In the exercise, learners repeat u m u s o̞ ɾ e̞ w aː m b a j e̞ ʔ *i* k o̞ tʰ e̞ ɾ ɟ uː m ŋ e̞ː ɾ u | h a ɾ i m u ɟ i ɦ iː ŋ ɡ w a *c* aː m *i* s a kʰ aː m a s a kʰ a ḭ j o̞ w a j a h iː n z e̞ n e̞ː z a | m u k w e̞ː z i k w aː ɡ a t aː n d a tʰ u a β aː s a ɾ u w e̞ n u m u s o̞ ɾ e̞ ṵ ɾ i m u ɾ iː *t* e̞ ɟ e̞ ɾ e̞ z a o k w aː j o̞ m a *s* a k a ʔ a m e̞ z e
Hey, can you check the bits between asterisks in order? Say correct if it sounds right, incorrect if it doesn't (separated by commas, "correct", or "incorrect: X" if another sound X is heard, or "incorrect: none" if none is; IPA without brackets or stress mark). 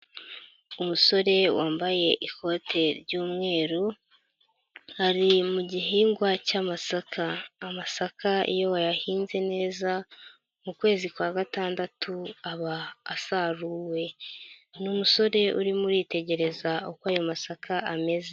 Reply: correct, correct, incorrect: a, correct, correct